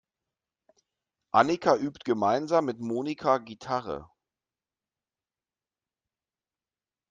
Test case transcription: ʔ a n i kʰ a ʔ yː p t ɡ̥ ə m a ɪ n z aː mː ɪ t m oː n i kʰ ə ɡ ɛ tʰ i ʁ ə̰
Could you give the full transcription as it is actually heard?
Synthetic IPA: ʔ a n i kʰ a ʔ yː p t ɡ̥ ə m a ɪ n z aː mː ɪ t m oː n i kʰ a ɡ i tʰ a ʁ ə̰